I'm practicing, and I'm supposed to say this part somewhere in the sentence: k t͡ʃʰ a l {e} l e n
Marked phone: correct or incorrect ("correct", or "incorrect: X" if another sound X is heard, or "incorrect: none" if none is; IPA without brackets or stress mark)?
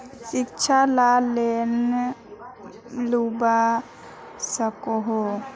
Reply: incorrect: a